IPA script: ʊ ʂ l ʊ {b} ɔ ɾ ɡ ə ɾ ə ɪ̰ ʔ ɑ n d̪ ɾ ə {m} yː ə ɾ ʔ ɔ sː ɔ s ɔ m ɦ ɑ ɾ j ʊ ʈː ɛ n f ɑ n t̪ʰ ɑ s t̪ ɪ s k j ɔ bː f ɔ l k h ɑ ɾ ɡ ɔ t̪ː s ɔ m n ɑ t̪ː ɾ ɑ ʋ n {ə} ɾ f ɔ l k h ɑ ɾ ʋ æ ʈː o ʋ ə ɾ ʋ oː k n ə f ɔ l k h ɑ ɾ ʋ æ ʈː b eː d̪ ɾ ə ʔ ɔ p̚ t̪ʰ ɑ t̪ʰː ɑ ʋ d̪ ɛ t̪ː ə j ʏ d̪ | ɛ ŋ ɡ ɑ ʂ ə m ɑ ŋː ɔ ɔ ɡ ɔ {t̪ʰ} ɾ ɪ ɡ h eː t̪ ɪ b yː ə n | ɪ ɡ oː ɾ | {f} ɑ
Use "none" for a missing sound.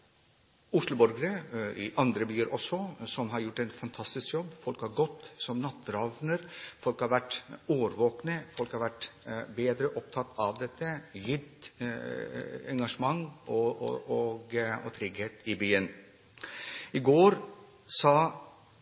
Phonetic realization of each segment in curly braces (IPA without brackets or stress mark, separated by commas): b, b, ə, t̪ʰ, s